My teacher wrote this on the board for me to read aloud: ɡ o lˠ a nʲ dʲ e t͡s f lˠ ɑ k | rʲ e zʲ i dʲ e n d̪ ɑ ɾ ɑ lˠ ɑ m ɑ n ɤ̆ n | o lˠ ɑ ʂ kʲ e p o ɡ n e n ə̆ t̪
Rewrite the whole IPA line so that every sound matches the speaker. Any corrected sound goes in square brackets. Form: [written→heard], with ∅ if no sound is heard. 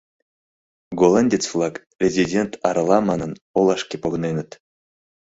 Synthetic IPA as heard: ɡ o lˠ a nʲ dʲ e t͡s f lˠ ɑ k | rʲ e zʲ i dʲ e n [d̪→t̪] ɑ ɾ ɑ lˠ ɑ m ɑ n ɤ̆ n | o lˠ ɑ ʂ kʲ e p o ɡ n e n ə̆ t̪